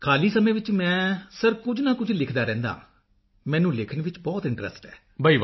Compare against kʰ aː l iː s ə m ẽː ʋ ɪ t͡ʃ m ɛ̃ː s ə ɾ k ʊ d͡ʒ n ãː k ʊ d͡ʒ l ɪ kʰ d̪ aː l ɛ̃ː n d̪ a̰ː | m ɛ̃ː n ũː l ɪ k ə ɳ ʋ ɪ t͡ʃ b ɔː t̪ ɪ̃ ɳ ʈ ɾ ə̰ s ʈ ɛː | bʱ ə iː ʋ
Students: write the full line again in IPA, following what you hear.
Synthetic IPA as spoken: kʰ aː l iː s ə m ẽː ʋ ɪ t͡ʃ m ɛ̃ː s ə ɾ k ʊ d͡ʒ n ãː k ʊ d͡ʒ l ɪ kʰ d̪ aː ɾ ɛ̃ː n d̪ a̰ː | m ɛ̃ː n ũː l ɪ kʰ ə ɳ ʋ ɪ t͡ʃ b ɔː t̪ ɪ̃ ɳ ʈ ɾ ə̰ s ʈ ɛː | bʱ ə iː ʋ